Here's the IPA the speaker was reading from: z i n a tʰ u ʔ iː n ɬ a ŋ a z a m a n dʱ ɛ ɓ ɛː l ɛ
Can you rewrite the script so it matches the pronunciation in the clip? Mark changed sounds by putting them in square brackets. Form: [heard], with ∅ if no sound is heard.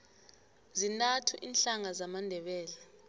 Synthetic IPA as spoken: z i n a tʰ u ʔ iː n ɬ a ŋ a z a m a n dʱ ɛ ɓ ɛː l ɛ